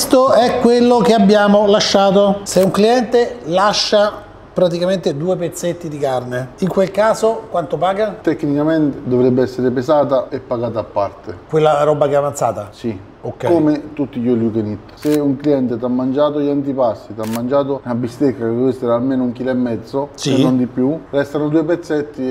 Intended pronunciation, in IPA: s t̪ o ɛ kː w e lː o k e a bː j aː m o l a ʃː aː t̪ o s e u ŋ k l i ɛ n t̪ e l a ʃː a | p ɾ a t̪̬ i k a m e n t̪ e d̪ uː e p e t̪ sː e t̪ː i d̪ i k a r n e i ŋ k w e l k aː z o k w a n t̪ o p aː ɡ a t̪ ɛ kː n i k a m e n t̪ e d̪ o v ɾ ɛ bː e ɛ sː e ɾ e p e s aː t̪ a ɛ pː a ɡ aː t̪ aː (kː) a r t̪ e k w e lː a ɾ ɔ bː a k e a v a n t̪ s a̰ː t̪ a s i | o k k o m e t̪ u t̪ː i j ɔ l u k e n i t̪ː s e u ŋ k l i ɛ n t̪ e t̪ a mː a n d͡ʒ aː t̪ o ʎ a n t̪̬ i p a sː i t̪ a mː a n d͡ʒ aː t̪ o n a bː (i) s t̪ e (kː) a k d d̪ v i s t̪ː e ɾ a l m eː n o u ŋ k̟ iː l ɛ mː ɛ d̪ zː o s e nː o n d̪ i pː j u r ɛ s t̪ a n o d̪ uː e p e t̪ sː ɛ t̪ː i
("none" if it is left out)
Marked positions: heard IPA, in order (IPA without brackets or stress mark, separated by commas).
pː, i, kː